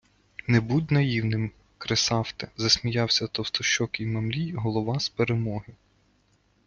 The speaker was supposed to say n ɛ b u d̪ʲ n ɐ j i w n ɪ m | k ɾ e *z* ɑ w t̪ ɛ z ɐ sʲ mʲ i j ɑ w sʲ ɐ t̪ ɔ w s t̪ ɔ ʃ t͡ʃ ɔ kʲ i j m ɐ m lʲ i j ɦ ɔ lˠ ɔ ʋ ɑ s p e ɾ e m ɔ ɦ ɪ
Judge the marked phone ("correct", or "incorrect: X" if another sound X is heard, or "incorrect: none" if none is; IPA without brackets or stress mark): incorrect: s